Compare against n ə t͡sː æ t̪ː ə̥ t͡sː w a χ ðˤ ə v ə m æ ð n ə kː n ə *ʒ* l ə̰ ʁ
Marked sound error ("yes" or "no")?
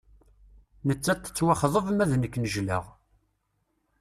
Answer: no